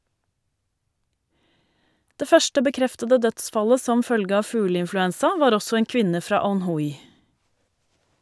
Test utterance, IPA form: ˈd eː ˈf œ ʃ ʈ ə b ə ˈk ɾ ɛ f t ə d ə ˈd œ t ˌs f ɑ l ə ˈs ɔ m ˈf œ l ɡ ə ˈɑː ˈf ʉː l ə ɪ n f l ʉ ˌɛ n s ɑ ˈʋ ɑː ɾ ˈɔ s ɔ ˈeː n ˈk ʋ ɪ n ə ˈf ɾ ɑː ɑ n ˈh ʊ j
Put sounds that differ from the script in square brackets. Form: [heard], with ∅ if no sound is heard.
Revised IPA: ˈd eː ˈf œ ʃ ʈ ə b ə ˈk ɾ ɛ f t ə d ə ˈd œ t ˌs f ɑ l ə ˈs ɔ m ˈf œ l ɡ ə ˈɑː ˈf ʉː l ə ɪ n f l ʉ ˌɛ n s ɑ ˈʋ ɑː ɾ ˈɔ s ɔ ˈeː [ŋ] ˈk ʋ ɪ n ə ˈf ɾ ɑː ɑ n ˈh ʊ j